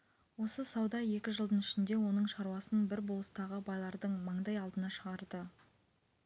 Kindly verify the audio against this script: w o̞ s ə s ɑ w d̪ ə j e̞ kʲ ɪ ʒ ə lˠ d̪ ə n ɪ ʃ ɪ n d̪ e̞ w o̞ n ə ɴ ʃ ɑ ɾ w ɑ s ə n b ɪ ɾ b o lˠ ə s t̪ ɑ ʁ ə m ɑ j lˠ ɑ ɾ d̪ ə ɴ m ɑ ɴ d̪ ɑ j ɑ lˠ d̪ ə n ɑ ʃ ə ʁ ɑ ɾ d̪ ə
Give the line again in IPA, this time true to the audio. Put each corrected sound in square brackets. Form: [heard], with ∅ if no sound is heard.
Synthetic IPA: w o̞ s ə s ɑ w d̪ [ɑ] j e̞ kʲ ɪ ʒ ə lˠ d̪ ə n ɪ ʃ ɪ n d̪ e̞ w o̞ n ə ɴ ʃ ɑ ɾ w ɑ s ə n b ɪ ɾ b o lˠ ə s t̪ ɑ ʁ ə [b] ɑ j lˠ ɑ ɾ d̪ ə ɴ m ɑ ɴ d̪ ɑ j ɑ lˠ d̪ ə n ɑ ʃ ə ʁ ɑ ɾ d̪ ə